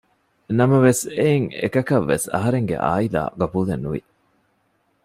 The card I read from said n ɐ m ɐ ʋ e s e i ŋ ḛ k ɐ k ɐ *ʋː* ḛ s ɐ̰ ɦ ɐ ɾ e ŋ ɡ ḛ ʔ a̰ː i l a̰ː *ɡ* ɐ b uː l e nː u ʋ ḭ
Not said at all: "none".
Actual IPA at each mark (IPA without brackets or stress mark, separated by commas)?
ʋː, ɡ